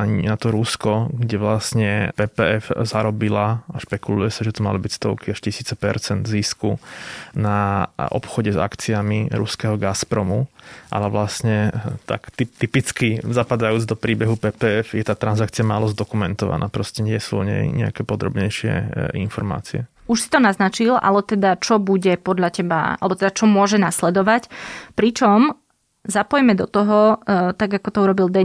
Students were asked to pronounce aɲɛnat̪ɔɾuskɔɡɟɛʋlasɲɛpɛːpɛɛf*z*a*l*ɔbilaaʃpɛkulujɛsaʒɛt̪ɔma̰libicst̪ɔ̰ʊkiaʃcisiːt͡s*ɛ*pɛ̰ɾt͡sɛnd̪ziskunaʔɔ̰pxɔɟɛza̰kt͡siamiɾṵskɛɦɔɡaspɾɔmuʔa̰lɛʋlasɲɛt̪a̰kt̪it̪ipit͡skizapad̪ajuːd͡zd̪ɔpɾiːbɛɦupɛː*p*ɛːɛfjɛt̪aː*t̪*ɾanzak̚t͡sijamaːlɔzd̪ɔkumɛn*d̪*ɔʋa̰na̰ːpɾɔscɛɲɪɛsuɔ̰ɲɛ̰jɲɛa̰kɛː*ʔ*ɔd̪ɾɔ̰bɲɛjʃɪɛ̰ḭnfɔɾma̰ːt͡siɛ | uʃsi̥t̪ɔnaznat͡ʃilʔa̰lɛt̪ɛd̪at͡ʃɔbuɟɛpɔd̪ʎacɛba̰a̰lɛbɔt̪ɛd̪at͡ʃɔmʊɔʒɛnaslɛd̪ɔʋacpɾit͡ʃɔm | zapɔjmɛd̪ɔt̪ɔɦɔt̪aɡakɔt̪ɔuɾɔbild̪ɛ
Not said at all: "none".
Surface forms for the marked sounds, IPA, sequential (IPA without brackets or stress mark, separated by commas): z, ɾ, ɛ, p, t̪, t̪, p